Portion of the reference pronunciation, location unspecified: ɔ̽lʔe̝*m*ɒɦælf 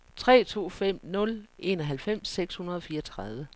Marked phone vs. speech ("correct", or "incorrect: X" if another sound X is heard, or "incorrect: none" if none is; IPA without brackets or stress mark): incorrect: n